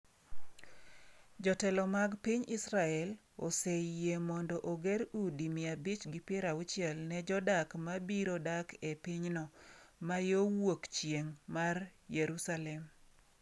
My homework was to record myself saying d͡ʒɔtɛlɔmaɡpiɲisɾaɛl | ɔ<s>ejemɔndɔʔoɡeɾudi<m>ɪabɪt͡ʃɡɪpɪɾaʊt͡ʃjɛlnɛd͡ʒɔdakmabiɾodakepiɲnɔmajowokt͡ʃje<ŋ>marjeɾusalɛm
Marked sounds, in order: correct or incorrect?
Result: correct, correct, correct

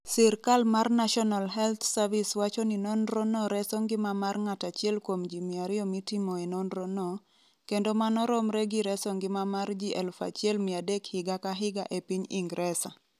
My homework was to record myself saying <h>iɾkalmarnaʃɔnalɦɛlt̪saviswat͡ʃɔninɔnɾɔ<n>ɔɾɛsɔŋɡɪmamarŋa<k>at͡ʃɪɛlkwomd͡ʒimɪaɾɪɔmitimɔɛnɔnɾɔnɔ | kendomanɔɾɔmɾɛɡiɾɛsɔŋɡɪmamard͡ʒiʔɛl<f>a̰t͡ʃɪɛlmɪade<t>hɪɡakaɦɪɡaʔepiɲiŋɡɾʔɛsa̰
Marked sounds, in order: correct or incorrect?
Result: incorrect: s, correct, incorrect: t, correct, incorrect: k

